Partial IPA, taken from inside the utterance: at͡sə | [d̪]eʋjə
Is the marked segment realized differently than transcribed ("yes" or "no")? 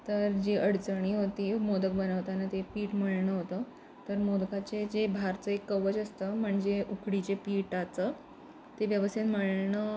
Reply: yes